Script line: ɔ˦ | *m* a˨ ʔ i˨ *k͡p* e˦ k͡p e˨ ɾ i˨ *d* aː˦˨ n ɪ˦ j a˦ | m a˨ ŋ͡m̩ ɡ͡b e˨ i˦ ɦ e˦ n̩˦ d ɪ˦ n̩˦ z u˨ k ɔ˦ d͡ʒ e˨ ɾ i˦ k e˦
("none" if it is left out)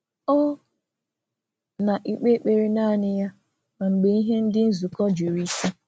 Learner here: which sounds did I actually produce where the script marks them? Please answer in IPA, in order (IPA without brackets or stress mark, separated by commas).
n, k͡p, n